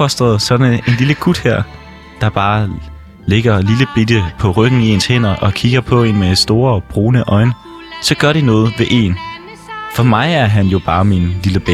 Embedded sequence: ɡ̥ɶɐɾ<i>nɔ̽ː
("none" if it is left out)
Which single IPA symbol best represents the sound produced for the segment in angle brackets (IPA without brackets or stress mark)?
i